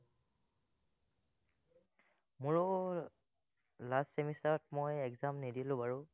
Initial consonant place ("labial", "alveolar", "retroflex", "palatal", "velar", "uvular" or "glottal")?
labial